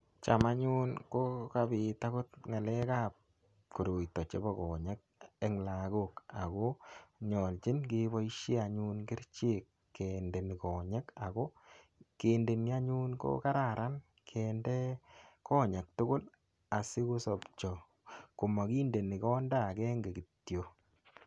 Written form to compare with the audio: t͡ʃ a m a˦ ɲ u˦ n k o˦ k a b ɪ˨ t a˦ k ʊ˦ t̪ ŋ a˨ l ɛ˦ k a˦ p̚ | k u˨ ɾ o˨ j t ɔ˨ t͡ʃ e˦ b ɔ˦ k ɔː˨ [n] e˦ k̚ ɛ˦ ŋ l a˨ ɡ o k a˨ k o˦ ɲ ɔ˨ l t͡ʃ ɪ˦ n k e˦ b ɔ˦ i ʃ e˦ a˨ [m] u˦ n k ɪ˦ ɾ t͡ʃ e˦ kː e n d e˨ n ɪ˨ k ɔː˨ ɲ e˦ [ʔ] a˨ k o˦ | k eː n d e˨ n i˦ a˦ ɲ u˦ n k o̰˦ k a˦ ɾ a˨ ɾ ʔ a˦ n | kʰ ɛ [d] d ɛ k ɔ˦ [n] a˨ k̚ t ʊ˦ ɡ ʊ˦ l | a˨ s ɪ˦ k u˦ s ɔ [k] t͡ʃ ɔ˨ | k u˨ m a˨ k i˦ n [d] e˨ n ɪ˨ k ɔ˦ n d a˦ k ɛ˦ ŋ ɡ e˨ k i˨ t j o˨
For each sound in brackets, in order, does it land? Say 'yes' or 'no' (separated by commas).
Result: no, no, no, no, no, no, yes